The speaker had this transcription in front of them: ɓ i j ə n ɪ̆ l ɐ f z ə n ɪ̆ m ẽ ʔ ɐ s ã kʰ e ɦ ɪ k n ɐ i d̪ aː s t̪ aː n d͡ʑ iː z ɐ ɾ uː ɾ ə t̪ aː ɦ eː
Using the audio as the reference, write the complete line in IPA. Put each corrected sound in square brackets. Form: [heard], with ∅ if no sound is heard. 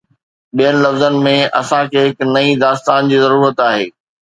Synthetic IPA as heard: ɓ i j ə n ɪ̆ l ɐ f z ə n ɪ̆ m ẽ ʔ ɐ s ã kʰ e ɦ ɪ k n ɐ i d̪ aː s t̪ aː n d͡ʑ iː z ɐ ɾ uː ɾ ə t̪ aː ɦ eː